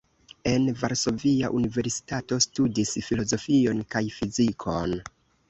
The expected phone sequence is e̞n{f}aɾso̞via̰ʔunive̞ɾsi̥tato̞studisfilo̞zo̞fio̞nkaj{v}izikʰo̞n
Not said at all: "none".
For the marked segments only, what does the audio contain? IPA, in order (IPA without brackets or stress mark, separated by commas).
v, f